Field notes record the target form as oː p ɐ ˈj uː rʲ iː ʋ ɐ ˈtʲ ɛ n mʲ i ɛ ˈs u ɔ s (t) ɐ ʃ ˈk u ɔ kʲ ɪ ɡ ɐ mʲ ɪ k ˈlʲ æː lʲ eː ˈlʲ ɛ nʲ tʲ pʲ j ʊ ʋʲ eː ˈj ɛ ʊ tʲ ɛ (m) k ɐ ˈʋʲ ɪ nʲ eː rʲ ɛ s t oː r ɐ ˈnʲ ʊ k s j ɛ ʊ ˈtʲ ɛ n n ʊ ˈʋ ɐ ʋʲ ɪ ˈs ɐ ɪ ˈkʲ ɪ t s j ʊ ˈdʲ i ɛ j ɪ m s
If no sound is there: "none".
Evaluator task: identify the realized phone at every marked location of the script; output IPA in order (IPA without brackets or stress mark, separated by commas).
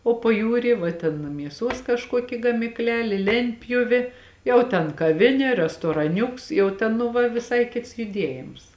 k, n